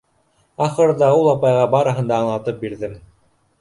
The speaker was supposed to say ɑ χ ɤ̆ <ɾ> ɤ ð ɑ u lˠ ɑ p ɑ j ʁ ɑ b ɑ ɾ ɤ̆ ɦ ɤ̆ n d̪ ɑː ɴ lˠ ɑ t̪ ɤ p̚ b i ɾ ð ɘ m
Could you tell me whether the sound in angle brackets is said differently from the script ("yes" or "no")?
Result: no